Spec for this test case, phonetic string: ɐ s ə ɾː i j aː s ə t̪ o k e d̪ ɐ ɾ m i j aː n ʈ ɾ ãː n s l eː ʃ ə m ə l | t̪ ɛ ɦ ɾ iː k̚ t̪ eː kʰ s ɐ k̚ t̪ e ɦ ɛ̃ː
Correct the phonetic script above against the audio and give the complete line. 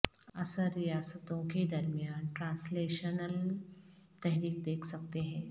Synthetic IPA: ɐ s ə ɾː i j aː s ə t̪ õ k e d̪ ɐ ɾ m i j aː n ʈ ɾ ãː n s l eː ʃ ə n ə l | t̪ ɛ ɦ ɾ iː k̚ d̪ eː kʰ s ɐ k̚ t̪ e ɦ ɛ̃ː

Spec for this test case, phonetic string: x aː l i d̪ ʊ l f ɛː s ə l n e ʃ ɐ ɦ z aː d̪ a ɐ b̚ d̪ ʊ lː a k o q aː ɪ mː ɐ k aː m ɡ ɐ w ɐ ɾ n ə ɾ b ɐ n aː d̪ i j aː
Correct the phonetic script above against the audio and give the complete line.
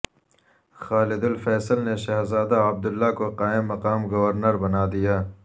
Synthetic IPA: x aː l ɪ d̪ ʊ l f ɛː s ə l n e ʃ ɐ ɦ z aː d̪ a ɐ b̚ d̪ ʊ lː a k o q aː ɪ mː ɐ q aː m ɡ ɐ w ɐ ɾ n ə ɾ b ɐ n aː d̪ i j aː

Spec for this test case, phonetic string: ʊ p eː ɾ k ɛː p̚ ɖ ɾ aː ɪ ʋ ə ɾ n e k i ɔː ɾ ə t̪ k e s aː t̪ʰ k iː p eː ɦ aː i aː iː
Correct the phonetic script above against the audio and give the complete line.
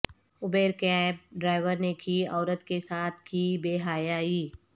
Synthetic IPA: ʊ b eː ɾ k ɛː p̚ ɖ ɾ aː ɪ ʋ ə ɾ n e k i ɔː ɾ ə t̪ k e s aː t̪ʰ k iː b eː ɦ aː j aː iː

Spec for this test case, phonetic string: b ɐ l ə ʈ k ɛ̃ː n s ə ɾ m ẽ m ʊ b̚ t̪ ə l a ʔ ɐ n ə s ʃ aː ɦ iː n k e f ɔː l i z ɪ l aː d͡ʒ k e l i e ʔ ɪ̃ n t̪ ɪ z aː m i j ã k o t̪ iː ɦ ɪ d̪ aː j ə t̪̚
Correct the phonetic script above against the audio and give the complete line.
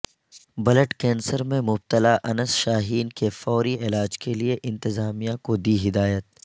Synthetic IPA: b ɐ l ə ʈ k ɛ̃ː n s ə ɾ m ẽ m ʊ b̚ t̪ ə l a ʔ ɐ n ə s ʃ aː ɦ iː n k e f ɔː ɾ i ɪ l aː d͡ʒ k e l i e ʔ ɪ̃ n t̪ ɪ z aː m i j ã k o d̪ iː ɦ ɪ d̪ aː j ə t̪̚

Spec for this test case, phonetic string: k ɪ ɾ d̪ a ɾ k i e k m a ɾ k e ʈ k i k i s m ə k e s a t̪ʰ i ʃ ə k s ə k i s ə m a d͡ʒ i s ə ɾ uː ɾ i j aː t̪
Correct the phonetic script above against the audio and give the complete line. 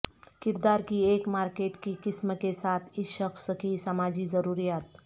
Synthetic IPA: k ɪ ɾ d̪ a ɾ k i e k m a ɾ k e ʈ k i k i s m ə k e s a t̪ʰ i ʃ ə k s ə k i s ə m a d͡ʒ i z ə ɾ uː ɾ i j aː t̪

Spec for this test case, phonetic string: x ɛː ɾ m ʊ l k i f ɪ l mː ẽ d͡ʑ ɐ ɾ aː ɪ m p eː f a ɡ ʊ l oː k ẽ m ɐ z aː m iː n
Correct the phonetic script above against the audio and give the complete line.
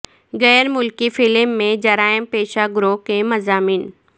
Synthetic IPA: ɣ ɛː ɾ m ʊ l k i f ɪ l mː ẽ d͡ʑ ɐ ɾ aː ɪ m p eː ʃ a ɡ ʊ ɾ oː k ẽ m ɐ z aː m iː n

